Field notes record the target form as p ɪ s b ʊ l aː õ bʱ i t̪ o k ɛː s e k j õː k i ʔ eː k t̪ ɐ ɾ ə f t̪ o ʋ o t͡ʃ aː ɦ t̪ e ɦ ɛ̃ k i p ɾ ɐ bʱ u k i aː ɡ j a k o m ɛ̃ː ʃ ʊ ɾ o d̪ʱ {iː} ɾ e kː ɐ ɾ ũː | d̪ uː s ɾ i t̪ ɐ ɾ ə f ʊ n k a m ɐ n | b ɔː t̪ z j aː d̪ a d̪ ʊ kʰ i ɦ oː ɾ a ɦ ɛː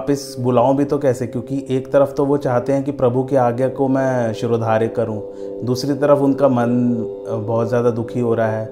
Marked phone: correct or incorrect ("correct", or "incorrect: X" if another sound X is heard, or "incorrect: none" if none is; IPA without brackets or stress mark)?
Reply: incorrect: aː